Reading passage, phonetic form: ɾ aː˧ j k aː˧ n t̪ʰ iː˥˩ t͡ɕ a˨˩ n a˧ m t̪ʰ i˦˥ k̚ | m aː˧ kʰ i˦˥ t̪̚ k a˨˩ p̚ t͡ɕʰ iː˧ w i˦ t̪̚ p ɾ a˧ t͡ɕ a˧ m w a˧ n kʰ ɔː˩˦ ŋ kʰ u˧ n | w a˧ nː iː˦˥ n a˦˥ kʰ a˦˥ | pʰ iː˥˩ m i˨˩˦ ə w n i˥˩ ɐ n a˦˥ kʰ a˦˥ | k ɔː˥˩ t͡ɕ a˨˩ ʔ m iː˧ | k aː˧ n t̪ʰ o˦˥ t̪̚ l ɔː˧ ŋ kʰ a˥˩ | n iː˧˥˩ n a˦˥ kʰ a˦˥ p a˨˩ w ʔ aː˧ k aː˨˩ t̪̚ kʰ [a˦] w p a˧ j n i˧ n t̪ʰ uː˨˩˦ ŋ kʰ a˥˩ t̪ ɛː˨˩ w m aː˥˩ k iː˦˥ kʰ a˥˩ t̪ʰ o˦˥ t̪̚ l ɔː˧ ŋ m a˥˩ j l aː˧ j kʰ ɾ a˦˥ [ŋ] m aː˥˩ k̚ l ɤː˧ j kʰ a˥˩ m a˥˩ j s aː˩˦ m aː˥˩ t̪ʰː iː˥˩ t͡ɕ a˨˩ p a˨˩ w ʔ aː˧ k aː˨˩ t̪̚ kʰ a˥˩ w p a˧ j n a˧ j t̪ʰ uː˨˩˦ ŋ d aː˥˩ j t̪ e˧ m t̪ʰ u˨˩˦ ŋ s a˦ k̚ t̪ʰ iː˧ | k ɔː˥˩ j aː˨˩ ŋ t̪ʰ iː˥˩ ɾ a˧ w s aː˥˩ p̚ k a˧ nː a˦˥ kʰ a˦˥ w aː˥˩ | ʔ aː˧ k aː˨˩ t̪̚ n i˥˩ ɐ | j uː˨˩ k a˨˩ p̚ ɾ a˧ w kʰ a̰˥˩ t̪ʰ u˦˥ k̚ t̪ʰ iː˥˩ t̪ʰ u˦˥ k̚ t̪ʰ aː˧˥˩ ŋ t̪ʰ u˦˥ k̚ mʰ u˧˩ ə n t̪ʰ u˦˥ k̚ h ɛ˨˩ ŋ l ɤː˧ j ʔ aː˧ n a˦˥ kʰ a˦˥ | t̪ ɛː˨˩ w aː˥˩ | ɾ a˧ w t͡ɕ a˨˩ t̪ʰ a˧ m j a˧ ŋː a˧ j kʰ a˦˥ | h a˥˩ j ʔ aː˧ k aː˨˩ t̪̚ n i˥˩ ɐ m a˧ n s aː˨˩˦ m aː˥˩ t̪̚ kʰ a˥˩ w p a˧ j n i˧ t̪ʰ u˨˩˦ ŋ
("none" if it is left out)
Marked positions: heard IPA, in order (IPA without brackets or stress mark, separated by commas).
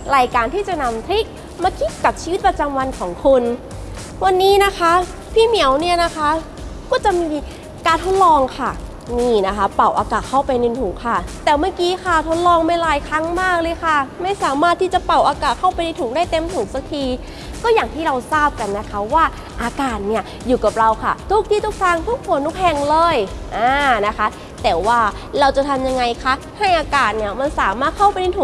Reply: a˥˩, ŋ